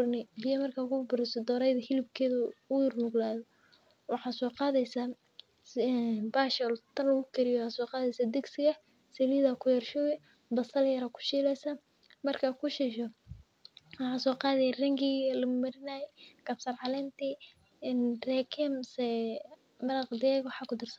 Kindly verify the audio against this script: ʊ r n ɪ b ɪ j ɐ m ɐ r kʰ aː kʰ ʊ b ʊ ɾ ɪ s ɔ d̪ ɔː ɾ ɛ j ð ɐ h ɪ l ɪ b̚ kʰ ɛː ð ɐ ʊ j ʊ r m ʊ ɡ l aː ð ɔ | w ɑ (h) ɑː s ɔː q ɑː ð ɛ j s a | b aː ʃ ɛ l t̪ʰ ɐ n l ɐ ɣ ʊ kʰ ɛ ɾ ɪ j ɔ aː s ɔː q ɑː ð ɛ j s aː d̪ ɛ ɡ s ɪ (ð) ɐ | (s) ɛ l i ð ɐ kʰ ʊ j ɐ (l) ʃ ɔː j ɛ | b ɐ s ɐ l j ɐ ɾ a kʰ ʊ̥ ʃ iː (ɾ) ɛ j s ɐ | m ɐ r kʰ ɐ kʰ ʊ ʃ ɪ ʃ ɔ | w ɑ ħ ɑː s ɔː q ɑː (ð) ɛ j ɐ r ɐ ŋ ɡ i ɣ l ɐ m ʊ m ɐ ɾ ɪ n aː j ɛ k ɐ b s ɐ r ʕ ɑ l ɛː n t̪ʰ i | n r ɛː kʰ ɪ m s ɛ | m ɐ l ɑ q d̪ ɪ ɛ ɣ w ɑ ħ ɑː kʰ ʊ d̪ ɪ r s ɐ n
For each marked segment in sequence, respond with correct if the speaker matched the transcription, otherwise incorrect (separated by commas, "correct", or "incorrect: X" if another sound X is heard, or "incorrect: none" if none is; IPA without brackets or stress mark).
incorrect: ħ, incorrect: ɣ, correct, incorrect: r, incorrect: l, correct